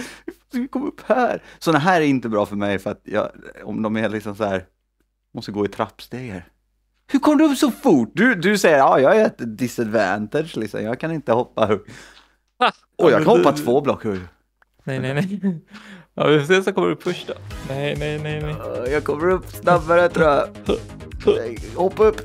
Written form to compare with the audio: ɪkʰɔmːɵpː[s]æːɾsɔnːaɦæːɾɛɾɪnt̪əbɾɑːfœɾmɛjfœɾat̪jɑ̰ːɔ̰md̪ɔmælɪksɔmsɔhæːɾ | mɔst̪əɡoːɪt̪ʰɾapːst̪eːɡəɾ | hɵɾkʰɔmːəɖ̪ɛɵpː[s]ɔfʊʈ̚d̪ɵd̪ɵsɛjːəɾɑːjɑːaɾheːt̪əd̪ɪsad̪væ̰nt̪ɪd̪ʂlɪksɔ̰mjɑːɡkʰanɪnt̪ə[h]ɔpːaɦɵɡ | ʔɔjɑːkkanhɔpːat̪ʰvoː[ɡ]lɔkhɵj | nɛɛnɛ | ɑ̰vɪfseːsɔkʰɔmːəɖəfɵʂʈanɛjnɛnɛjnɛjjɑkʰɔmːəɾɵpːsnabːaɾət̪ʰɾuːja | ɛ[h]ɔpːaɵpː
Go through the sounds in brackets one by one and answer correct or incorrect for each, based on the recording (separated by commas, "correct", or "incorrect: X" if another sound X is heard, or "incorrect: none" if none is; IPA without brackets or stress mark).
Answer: incorrect: h, correct, correct, incorrect: b, correct